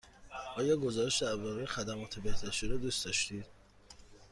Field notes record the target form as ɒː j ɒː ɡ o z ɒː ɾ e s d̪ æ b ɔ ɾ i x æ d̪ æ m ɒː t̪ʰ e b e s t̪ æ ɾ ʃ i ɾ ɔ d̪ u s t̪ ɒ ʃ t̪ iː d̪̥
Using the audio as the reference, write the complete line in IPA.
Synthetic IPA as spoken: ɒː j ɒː ɡ o z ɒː ɾ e ʃ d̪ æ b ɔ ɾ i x æ d̪ æ m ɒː t̪ʰ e b e h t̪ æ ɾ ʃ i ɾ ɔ d̪ u s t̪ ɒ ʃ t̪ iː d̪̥